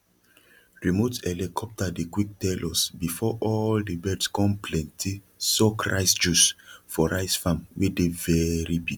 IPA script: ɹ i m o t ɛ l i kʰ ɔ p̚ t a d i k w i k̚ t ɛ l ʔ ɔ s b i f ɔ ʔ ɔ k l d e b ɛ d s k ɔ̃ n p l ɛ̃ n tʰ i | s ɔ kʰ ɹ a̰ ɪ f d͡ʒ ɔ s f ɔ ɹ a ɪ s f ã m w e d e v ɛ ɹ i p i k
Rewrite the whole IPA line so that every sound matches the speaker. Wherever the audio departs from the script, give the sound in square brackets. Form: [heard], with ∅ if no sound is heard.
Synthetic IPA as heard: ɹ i m o t ɛ l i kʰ ɔ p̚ t a d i k w i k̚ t ɛ l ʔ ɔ s b i f ɔ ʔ ɔ [∅] l d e b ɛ d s k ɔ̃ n p l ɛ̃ n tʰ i | s ɔ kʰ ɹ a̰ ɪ [s] d͡ʒ [u] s f ɔ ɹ a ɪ s f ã m w e d e v ɛ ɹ i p i k